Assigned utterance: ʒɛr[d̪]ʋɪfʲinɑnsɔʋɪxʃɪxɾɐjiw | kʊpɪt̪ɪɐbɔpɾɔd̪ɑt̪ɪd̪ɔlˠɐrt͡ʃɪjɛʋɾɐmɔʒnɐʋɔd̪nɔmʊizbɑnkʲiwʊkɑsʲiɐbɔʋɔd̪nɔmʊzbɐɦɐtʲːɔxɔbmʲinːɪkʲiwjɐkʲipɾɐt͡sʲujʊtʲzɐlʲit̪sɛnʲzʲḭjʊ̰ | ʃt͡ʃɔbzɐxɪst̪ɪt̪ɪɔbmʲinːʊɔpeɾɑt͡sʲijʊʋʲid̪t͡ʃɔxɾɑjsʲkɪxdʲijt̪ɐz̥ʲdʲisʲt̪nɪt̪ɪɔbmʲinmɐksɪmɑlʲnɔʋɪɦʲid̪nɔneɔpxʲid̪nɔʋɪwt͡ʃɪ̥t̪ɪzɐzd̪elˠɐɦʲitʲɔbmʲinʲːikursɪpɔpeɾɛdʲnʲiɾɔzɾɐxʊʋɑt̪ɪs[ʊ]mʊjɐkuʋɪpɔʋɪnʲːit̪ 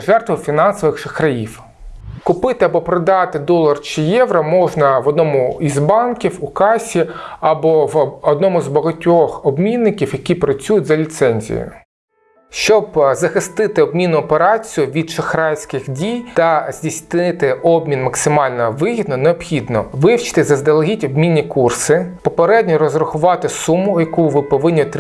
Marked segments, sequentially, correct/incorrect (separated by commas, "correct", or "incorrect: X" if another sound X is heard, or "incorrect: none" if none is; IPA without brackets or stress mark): incorrect: t̪, incorrect: u